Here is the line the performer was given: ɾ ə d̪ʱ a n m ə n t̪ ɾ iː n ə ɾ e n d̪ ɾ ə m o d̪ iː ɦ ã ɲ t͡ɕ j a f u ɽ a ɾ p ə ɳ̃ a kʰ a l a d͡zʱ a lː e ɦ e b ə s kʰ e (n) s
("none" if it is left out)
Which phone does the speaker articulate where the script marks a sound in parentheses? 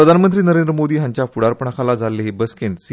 n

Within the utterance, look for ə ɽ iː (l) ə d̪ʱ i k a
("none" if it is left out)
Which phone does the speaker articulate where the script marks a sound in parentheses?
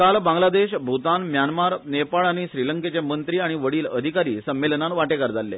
l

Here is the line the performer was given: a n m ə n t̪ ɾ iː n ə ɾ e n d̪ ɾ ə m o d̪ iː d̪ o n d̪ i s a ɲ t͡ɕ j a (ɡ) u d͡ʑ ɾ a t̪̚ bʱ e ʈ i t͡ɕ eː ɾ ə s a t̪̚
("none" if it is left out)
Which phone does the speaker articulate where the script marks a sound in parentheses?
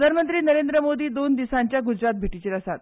ɡ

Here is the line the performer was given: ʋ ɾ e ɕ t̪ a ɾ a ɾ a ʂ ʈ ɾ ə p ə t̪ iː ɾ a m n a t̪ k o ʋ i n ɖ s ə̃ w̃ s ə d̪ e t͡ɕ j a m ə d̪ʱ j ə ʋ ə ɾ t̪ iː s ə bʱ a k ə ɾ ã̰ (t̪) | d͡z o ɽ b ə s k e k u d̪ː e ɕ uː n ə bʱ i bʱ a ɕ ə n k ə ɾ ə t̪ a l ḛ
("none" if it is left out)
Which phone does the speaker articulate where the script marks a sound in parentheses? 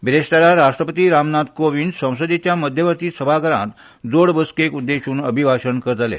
t̪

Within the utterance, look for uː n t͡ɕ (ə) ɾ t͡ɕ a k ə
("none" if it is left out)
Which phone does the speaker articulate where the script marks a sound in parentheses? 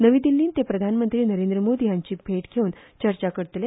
ə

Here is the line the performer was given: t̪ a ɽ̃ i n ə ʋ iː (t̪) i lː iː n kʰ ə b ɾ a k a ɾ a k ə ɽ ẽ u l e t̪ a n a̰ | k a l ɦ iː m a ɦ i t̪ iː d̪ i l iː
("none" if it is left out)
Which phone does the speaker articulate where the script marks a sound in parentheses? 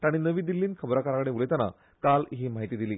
d̪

